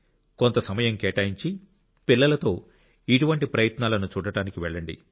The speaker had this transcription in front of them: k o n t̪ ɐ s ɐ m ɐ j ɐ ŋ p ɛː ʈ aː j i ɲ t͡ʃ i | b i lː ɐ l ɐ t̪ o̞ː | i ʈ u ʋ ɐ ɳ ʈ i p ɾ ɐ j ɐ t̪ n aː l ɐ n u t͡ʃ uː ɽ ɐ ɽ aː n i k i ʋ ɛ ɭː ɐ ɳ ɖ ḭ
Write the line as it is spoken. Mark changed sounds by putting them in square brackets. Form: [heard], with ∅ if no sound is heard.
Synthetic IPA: k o n t̪ ɐ s ɐ m ɐ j ɐ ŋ [k] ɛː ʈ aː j i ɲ t͡ʃ i | [p] i lː ɐ l ɐ t̪ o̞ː | i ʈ u ʋ ɐ ɳ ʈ i p ɾ ɐ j ɐ t̪ n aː l ɐ n u t͡ʃ uː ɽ ɐ ɽ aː n i k i ʋ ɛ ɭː ɐ ɳ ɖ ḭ

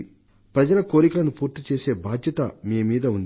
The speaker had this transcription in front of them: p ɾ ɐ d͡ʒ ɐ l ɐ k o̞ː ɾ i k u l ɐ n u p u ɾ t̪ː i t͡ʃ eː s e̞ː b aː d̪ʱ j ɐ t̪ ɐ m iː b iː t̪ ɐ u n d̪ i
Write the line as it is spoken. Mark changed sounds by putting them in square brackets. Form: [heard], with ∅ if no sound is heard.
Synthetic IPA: p ɾ ɐ d͡ʒ ɐ l ɐ k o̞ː ɾ i k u l ɐ n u p [uː] ɾ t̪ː i t͡ʃ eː s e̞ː b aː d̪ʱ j ɐ t̪ ɐ m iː [m] iː [d̪] ɐ u n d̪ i

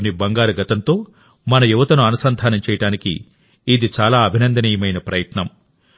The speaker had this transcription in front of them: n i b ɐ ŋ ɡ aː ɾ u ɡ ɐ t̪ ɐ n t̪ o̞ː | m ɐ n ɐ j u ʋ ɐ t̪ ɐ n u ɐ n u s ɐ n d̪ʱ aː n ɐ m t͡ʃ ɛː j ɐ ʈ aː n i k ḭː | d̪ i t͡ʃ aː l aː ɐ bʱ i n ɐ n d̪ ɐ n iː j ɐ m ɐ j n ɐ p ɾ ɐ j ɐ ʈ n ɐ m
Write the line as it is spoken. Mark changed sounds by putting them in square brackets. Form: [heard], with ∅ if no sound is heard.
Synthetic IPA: n i b ɐ ŋ ɡ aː ɾ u ɡ ɐ t̪ ɐ n t̪ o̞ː | m ɐ n ɐ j u ʋ ɐ t̪ ɐ n u ɐ n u s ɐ n d̪ʱ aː n ɐ m t͡ʃ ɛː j ɐ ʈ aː n i k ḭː | d̪ i t͡ʃ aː l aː ɐ bʱ i n ɐ n d̪ ɐ n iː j ɐ m ɐ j n ɐ p ɾ ɐ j ɐ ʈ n ɐ m

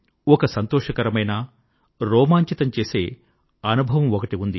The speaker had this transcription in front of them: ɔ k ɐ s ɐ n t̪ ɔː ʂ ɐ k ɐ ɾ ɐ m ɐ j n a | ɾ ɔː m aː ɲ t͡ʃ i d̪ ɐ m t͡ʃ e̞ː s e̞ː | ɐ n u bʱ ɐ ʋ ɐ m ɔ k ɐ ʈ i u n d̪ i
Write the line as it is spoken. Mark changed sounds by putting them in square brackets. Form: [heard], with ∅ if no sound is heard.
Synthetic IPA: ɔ k ɐ s ɐ n t̪ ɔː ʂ ɐ k ɐ ɾ ɐ m ɐ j n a | ɾ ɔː m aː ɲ t͡ʃ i [t̪] ɐ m t͡ʃ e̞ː s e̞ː | ɐ n u bʱ ɐ ʋ ɐ m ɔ k ɐ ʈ i u n d̪ i

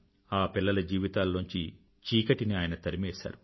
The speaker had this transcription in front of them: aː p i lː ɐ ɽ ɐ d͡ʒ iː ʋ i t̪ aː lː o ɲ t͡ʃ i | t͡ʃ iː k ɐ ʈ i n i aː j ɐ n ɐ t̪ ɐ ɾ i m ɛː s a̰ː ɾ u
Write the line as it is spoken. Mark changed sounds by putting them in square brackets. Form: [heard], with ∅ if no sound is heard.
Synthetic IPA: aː p i lː ɐ [l] ɐ d͡ʒ iː ʋ i t̪ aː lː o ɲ t͡ʃ i | t͡ʃ iː k ɐ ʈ i n i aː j ɐ n ɐ t̪ ɐ ɾ i m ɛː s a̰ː ɾ u

